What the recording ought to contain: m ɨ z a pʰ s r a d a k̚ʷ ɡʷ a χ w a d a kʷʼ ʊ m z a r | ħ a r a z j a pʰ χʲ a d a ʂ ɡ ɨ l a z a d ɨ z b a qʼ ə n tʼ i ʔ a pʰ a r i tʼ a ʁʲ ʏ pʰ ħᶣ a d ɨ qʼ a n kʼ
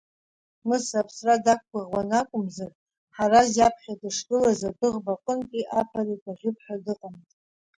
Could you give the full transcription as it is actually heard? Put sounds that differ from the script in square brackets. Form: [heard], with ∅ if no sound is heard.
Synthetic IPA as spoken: m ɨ [s] a pʰ s r a d a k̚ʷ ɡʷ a [ʁ] w a [n] a kʷʼ ʊ m z a r | ħ a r a z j a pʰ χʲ a d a ʂ ɡ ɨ l a z a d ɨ [ʁ] b a qʼ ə n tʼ i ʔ a pʰ a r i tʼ a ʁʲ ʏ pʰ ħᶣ a d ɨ qʼ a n [tʼ]